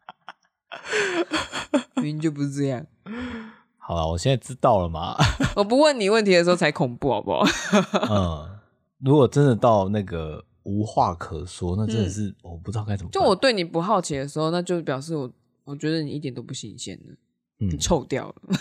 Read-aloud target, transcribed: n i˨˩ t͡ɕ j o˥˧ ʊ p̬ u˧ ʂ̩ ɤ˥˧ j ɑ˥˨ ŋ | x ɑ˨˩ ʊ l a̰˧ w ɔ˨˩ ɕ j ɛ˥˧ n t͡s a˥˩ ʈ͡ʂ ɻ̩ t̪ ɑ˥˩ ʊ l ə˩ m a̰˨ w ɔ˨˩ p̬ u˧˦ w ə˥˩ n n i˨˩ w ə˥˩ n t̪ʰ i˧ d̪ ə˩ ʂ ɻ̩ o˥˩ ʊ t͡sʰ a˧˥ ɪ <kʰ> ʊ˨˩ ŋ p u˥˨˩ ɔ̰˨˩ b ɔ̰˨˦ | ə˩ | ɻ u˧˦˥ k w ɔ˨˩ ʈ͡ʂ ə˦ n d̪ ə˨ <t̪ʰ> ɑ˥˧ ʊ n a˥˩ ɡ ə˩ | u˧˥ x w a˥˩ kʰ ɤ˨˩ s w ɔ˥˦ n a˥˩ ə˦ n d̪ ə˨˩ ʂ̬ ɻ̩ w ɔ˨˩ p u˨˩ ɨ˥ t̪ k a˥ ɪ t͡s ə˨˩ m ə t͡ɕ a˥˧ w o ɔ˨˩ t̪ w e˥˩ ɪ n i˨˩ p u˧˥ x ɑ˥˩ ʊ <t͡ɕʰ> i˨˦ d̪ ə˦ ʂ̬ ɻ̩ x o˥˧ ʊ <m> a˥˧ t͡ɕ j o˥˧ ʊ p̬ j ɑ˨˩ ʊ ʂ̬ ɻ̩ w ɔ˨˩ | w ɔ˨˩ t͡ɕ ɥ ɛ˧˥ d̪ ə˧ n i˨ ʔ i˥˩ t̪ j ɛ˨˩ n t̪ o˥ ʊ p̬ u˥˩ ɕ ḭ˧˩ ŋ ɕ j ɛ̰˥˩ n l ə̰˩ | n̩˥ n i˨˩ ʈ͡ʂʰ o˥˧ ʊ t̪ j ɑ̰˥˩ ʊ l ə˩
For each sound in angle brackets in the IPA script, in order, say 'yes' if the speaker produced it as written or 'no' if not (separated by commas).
yes, no, yes, no